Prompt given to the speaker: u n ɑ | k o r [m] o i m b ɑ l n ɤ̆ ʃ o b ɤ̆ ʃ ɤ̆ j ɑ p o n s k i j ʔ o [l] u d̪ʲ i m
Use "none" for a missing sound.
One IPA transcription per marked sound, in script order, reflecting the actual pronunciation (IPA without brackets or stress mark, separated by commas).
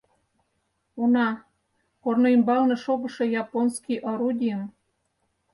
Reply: n, ɾ